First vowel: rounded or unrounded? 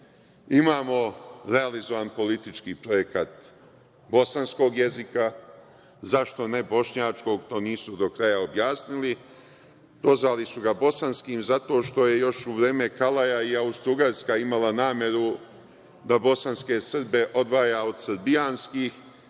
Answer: unrounded